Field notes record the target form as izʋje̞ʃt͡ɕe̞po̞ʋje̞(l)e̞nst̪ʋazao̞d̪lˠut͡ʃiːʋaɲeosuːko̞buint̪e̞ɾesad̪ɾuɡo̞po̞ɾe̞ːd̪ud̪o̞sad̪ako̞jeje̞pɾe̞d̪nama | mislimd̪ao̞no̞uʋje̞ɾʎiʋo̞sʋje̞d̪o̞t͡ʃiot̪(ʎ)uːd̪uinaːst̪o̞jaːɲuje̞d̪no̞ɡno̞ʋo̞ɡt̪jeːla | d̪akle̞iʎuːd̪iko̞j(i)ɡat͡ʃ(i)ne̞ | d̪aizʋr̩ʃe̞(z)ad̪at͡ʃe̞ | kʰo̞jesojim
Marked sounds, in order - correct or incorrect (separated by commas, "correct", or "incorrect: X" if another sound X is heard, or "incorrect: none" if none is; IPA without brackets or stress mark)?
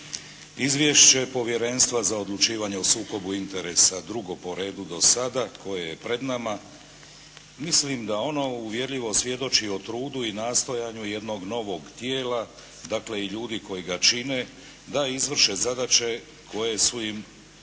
incorrect: ɾ, incorrect: ɾ, correct, correct, correct